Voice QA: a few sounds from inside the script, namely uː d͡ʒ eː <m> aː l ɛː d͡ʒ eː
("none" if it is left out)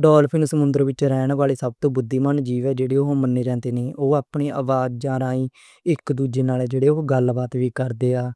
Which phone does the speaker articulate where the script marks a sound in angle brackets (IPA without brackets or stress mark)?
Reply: n